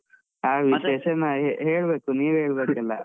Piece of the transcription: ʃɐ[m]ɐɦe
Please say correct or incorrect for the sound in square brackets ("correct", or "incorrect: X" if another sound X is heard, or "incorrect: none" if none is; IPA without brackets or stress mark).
incorrect: n